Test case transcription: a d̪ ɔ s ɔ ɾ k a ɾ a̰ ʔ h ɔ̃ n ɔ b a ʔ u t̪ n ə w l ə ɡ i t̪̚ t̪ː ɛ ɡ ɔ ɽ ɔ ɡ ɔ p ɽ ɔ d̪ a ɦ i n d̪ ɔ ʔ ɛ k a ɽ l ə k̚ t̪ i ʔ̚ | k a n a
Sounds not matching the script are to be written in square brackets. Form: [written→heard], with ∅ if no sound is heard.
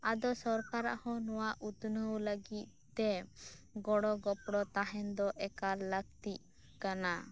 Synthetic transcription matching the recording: a d̪ ɔ s ɔ ɾ k a ɾ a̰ ʔ h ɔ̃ n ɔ [b→w] a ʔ u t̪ n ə w l ə ɡ i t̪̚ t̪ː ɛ ɡ ɔ ɽ ɔ ɡ ɔ p ɽ ɔ [d̪→t̪] a ɦ [i→ɛ] n d̪ ɔ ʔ ɛ k a [ɽ→ɾ] l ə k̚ t̪ i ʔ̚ | k a n a